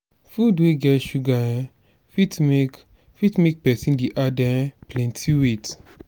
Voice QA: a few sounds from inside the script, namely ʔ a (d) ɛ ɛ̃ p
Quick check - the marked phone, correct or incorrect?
correct